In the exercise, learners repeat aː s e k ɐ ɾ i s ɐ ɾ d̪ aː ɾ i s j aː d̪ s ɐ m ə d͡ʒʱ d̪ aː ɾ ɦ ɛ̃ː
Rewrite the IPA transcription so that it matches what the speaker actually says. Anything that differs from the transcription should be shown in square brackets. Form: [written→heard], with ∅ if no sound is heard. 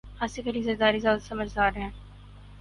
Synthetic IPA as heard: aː s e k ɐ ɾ i [s→z] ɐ ɾ d̪ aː ɾ i [s→z] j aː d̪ s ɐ m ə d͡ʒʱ d̪ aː ɾ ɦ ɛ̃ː